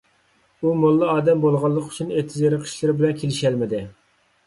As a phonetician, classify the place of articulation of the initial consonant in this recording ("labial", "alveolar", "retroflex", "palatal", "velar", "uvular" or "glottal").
labial